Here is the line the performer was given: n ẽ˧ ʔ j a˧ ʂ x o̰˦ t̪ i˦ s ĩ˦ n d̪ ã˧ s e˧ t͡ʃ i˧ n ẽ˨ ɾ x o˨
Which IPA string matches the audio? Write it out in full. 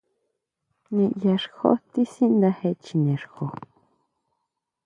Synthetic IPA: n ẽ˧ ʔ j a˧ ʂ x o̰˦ t̪ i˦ s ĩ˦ n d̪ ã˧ h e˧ t͡ʃ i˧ n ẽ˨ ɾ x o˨